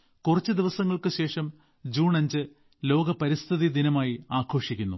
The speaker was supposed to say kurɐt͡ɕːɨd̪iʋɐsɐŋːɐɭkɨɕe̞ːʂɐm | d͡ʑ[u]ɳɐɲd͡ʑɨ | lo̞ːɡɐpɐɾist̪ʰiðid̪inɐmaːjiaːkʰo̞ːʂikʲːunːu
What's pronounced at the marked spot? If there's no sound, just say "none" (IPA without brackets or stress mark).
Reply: uː